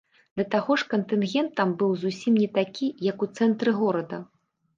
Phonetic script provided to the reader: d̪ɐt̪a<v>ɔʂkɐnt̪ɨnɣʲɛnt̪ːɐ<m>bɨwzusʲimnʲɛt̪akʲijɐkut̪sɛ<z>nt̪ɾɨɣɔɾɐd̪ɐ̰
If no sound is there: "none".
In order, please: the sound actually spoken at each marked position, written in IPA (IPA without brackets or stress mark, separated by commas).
ɣ, m, none